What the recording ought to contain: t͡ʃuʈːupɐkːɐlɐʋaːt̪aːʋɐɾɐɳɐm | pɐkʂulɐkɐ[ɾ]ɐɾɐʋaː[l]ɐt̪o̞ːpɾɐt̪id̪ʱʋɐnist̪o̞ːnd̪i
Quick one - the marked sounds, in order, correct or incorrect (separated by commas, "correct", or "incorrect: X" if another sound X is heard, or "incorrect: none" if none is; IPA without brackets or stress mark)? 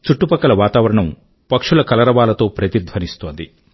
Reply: incorrect: l, correct